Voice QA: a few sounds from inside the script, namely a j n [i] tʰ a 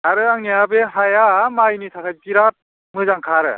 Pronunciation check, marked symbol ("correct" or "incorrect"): correct